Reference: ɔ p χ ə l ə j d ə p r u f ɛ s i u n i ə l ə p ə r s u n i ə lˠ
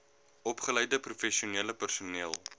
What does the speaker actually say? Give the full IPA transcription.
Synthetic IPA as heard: ɔ p χ ə l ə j d ə p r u f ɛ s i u n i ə l ə p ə r s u n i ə lˠ